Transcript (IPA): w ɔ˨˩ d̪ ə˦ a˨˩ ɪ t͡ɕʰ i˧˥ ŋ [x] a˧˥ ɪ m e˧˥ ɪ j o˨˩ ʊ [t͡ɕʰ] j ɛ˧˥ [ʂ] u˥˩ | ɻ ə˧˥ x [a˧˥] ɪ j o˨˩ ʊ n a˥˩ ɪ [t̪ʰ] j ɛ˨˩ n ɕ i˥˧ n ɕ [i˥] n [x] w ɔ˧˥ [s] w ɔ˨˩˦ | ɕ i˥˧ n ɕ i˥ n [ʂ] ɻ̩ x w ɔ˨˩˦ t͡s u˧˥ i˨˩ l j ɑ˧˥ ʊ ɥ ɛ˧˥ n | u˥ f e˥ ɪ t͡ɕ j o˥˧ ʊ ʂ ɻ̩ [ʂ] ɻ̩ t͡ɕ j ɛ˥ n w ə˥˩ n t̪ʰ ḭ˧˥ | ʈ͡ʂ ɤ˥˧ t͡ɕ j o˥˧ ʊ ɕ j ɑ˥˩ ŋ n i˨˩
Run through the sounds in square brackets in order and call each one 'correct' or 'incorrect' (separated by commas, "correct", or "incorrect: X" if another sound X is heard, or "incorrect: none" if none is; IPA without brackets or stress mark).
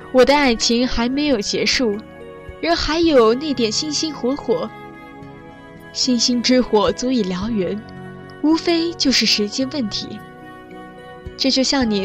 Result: correct, incorrect: t͡ɕ, correct, correct, incorrect: t̪, correct, correct, incorrect: x, incorrect: ʈ͡ʂ, correct